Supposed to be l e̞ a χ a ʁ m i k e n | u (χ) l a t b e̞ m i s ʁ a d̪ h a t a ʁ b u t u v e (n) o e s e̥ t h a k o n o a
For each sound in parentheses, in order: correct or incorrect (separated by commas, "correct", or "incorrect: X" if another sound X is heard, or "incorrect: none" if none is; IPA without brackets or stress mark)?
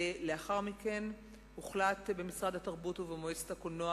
correct, incorrect: m